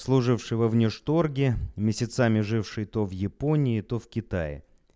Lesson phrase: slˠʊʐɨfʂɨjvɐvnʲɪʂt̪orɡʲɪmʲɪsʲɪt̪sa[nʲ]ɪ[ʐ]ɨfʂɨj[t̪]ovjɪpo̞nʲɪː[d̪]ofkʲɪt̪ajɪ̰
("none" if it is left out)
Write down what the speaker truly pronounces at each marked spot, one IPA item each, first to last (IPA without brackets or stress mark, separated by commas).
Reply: mʲ, ʐ, t̪, t̪